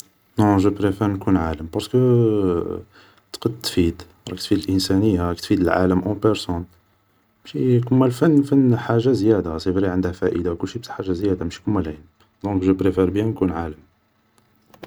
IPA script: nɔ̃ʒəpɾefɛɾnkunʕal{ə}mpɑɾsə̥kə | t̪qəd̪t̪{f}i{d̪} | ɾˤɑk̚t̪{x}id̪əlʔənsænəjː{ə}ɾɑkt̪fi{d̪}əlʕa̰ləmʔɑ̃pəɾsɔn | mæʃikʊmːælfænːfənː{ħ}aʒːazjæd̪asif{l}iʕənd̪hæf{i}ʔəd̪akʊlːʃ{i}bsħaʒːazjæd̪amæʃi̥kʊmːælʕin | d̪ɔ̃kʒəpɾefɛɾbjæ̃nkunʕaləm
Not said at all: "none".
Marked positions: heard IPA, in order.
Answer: ə, f, d̪, f, a, d̪, ħ, ɾ, æ, i

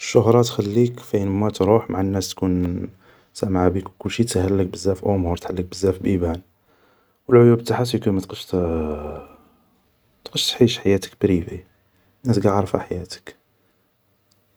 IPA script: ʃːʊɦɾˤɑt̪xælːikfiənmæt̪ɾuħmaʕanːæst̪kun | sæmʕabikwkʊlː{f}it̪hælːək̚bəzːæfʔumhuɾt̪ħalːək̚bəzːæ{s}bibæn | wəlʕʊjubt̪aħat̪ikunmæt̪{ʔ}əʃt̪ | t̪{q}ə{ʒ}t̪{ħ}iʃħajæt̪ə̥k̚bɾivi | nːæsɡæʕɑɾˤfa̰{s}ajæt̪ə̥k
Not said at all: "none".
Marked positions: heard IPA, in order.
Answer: ʃ, f, q, q, ʃ, ħ, ħ

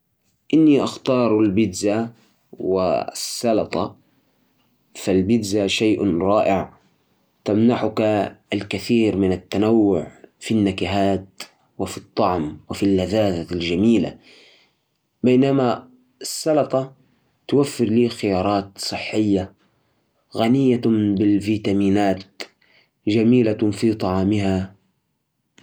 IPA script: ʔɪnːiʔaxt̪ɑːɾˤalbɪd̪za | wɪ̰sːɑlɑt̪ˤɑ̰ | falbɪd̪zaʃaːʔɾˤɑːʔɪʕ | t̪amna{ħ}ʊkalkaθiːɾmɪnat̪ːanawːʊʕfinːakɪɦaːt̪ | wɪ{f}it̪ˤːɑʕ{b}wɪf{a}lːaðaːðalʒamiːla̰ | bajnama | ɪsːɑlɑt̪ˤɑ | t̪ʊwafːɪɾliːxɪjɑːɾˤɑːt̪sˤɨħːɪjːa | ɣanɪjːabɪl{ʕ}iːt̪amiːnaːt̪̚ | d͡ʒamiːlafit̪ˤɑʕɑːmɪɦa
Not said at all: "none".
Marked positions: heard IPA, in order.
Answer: ħ, f, m, i, v

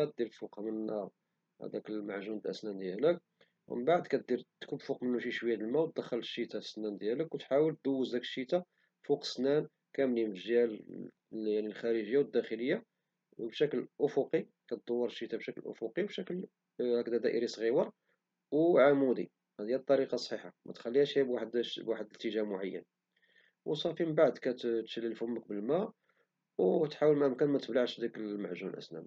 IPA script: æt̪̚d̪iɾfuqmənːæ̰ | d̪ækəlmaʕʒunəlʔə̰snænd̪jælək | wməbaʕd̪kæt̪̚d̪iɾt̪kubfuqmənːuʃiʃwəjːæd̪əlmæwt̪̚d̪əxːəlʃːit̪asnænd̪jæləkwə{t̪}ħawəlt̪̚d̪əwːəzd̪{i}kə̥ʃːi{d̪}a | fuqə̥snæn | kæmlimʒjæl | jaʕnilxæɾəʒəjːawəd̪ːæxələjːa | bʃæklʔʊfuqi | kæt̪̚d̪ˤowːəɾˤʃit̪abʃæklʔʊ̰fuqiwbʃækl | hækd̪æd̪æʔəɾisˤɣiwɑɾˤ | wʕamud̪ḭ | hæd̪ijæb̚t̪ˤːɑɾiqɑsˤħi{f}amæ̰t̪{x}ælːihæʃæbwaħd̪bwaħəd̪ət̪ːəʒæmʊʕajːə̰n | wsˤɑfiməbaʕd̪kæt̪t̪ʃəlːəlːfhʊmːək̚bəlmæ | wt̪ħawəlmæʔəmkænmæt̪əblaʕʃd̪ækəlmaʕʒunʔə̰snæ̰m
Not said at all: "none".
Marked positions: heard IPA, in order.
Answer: t̪, æ, t̪, ħ, x

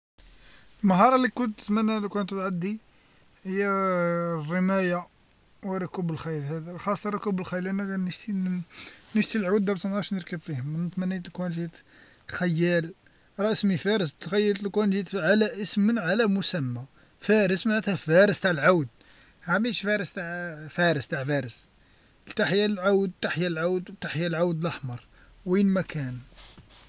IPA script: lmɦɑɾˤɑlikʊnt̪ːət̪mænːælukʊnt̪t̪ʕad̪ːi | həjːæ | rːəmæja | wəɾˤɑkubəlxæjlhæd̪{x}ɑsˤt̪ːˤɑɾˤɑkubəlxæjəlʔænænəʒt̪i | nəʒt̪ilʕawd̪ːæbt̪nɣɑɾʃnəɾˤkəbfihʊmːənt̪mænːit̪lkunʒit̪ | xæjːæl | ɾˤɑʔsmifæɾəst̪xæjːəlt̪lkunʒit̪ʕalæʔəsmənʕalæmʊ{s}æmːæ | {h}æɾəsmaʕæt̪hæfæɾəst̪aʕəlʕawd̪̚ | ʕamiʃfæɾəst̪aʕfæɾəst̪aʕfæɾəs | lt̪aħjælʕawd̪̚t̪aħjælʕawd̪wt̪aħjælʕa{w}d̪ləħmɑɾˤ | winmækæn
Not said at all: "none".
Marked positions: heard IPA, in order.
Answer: x, s, f, w

